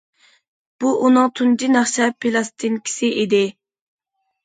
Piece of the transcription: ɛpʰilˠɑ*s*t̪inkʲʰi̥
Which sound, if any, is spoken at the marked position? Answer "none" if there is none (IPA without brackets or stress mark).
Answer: s